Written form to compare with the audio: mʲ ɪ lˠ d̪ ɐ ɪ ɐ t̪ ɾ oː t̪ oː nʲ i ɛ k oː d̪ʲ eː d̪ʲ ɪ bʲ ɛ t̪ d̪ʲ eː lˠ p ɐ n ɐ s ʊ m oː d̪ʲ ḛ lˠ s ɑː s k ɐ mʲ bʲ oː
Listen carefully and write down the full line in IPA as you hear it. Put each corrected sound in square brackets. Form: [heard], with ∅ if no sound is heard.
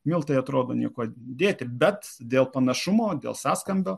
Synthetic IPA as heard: mʲ ɪ lˠ [t̪] ɐ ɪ ɐ t̪ ɾ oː [d̪] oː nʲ i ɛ k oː d̪ʲ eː [t̪ʲ] ɪ bʲ ɛ t̪ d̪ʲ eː lˠ p ɐ n ɐ [ʃ] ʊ m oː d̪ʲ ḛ lˠ s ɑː s k ɐ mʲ bʲ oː

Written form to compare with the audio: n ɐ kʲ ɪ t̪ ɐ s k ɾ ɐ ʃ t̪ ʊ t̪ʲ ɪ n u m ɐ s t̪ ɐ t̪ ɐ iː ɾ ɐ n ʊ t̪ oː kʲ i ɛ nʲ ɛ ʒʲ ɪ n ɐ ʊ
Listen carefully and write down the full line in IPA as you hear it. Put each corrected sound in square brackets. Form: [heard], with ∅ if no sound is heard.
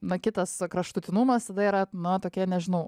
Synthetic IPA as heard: n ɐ kʲ ɪ t̪ ɐ s k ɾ ɐ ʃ t̪ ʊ t̪ʲ ɪ n u m ɐ s t̪ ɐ [d̪] ɐ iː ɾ ɐ n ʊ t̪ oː kʲ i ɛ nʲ ɛ ʒʲ ɪ n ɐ ʊ

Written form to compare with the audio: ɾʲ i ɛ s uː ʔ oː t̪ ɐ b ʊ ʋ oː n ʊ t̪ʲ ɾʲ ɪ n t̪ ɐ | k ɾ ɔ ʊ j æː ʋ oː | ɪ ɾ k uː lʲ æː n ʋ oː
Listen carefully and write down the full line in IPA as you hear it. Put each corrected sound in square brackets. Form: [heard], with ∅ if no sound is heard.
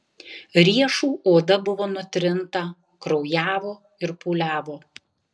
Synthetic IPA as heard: ɾʲ i ɛ [ʃ] uː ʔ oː [d̪] ɐ b ʊ ʋ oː n ʊ t̪ʲ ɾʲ ɪ n t̪ ɐ | k ɾ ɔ ʊ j æː ʋ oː | ɪ ɾ [p] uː lʲ æː [∅] ʋ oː

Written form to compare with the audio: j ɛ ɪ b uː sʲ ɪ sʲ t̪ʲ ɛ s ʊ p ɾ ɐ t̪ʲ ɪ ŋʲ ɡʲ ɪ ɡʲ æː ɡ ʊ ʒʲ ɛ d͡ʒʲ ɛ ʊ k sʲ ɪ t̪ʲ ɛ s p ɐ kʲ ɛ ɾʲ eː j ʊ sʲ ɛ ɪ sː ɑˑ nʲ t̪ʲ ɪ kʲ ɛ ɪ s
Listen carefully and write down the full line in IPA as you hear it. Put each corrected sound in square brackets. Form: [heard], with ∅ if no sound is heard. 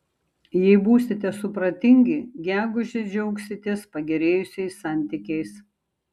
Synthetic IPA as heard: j ɛ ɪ b uː sʲ ɪ [∅] t̪ʲ ɛ s ʊ p ɾ ɐ t̪ʲ ɪ ŋʲ ɡʲ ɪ ɡʲ æː ɡ ʊ ʒʲ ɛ d͡ʒʲ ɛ ʊ k sʲ ɪ t̪ʲ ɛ s p ɐ [ɡʲ] ɛ ɾʲ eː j ʊ sʲ ɛ ɪ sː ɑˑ nʲ t̪ʲ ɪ kʲ ɛ ɪ s

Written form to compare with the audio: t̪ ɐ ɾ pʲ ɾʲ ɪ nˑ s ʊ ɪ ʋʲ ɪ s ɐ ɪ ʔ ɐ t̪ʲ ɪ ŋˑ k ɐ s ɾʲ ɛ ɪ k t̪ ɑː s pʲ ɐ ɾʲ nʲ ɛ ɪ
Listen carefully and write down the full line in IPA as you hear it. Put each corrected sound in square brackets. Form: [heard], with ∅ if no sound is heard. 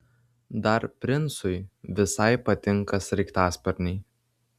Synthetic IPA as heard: [d̪] ɐ ɾ pʲ ɾʲ ɪ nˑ s ʊ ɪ ʋʲ ɪ s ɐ ɪ [p] ɐ t̪ʲ ɪ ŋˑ k ɐ s ɾʲ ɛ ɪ k t̪ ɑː s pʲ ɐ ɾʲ nʲ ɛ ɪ

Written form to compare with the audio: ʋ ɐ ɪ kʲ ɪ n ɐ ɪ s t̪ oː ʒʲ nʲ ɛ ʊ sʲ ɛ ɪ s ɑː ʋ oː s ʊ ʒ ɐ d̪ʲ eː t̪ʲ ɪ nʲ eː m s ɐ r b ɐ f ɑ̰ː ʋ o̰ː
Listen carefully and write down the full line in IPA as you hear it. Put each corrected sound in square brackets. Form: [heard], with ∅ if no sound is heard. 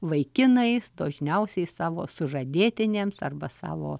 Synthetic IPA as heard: ʋ ɐ ɪ kʲ ɪ n ɐ ɪ s [d̪] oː ʒʲ nʲ ɛ ʊ sʲ ɛ ɪ s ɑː ʋ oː s ʊ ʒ ɐ d̪ʲ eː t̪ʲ ɪ nʲ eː m s ɐ r b ɐ [s] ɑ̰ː ʋ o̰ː

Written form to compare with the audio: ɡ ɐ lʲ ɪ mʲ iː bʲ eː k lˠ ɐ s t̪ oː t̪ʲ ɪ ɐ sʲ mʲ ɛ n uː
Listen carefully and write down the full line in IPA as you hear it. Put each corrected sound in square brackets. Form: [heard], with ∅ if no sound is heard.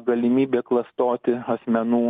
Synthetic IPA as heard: ɡ ɐ lʲ ɪ mʲ iː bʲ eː k lˠ ɐ s t̪ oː t̪ʲ ɪ ɐ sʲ mʲ ɛ n uː

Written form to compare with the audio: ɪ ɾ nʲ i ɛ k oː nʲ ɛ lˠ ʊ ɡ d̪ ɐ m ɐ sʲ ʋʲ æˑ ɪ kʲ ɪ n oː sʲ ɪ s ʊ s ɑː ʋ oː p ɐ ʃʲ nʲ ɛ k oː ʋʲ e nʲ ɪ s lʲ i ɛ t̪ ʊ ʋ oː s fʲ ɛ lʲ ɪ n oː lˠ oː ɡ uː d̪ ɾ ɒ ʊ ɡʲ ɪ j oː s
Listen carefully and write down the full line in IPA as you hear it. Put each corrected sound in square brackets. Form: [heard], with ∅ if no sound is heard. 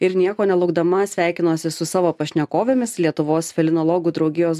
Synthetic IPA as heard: ɪ ɾ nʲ i ɛ k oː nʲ ɛ lˠ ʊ ɡ d̪ ɐ m ɐ sʲ ʋʲ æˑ ɪ kʲ ɪ n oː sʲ ɪ s ʊ s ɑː ʋ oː p ɐ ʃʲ nʲ ɛ k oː ʋʲ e [mʲ] ɪ s lʲ i ɛ t̪ ʊ ʋ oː s fʲ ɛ lʲ ɪ n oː lˠ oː ɡ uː d̪ ɾ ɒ ʊ ɡʲ ɪ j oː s

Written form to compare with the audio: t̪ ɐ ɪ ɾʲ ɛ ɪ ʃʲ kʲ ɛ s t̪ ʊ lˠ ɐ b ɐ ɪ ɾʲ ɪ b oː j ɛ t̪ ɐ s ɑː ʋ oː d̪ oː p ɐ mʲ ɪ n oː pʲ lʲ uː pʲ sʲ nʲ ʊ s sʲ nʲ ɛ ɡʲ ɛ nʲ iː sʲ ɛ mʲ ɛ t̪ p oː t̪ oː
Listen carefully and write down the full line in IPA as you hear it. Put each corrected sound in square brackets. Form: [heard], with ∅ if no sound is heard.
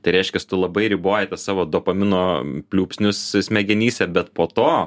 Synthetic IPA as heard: t̪ ɐ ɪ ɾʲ ɛ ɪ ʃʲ kʲ ɛ s t̪ ʊ lˠ ɐ b ɐ ɪ ɾʲ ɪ b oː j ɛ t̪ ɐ s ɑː ʋ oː d̪ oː p ɐ mʲ ɪ n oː pʲ lʲ uː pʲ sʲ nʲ ʊ s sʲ [mʲ] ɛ ɡʲ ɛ nʲ iː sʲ ɛ [bʲ] ɛ t̪ p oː t̪ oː

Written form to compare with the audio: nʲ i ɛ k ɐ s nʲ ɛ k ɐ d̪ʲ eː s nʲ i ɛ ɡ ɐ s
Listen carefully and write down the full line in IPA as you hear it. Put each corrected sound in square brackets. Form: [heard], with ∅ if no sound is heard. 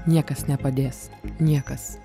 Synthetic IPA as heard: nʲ i ɛ k ɐ s nʲ ɛ [p] ɐ d̪ʲ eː s nʲ i ɛ [k] ɐ s

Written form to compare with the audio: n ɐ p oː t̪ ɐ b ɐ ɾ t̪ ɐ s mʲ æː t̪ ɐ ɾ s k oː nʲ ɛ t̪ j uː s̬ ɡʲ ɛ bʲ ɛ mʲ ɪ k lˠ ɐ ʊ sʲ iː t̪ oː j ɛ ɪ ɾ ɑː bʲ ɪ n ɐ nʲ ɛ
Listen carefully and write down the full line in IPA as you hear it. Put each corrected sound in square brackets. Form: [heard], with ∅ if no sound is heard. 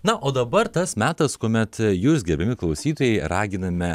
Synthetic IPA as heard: n ɐ [ʔ] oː [d̪] ɐ b ɐ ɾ t̪ ɐ s mʲ æː t̪ ɐ [∅] s k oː [mʲ] ɛ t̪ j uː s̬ ɡʲ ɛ bʲ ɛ mʲ ɪ k lˠ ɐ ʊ sʲ iː t̪ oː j ɛ ɪ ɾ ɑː [ɡʲ] ɪ n ɐ [mʲ] ɛ

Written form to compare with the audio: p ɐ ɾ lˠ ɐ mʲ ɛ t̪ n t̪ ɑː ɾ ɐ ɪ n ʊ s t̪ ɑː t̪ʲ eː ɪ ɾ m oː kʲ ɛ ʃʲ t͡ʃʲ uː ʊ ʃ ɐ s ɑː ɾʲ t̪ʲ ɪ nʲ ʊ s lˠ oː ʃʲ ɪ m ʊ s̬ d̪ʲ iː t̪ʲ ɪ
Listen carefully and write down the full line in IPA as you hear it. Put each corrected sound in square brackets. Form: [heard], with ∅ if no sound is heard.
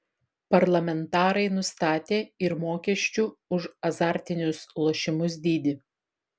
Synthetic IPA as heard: p ɐ ɾ lˠ ɐ mʲ ɛ [∅] n t̪ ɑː ɾ ɐ ɪ n ʊ s t̪ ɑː t̪ʲ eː ɪ ɾ m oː kʲ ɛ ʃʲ t͡ʃʲ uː ʊ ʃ ɐ [z] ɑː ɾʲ t̪ʲ ɪ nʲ ʊ s lˠ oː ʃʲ ɪ m ʊ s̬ d̪ʲ iː [d̪ʲ] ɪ

